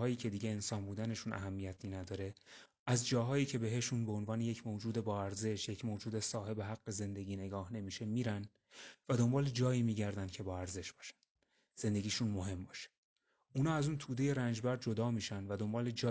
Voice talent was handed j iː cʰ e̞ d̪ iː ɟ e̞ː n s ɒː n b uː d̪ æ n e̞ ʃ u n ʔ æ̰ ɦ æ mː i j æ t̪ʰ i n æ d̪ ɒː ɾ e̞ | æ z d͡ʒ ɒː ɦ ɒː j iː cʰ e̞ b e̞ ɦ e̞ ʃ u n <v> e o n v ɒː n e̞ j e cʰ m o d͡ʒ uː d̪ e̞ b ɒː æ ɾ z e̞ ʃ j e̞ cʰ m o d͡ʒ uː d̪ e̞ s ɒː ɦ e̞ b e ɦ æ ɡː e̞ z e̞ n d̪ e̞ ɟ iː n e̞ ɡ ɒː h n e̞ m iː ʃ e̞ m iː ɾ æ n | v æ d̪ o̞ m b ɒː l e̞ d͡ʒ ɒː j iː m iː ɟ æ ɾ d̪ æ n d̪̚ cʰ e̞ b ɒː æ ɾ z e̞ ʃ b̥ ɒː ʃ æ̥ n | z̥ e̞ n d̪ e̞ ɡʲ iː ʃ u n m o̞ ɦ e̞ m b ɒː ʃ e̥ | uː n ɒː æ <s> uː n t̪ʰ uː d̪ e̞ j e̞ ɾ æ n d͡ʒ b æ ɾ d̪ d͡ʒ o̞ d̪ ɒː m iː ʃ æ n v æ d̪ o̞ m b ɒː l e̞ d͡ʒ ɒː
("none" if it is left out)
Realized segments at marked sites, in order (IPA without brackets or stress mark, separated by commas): b, z